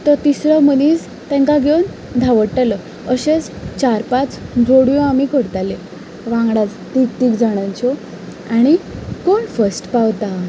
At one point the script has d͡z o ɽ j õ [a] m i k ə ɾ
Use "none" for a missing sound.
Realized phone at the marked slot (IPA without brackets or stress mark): a